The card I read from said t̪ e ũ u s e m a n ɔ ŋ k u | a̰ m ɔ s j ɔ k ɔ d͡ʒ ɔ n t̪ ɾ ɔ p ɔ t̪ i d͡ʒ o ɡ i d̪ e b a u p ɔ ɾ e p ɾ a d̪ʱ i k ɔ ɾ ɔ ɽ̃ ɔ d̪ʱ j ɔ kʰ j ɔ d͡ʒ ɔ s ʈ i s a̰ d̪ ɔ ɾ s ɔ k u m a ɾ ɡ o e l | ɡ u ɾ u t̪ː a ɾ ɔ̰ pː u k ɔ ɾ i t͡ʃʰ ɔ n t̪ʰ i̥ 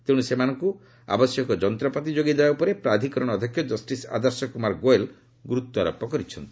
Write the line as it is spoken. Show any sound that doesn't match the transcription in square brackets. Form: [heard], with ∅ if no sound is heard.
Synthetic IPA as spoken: t̪ e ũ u s e m a n ɔ ŋ k u | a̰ [b] ɔ s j ɔ k ɔ d͡ʒ ɔ n t̪ ɾ ɔ p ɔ t̪ i d͡ʒ o ɡ i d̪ e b a u p ɔ ɾ e p ɾ a d̪ʱ i k ɔ ɾ ɔ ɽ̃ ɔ d̪ʱ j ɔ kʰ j ɔ d͡ʒ ɔ s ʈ i s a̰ d̪ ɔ ɾ s ɔ k u m a ɾ ɡ o e l | ɡ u ɾ u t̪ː a ɾ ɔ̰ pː [ɔ] k ɔ ɾ i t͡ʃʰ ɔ n [t̪] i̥